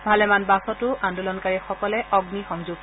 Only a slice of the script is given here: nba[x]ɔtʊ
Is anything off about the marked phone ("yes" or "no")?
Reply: yes